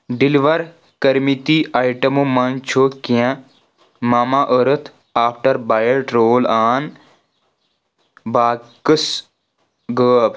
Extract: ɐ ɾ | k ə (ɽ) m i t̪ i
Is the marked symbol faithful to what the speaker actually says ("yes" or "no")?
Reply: no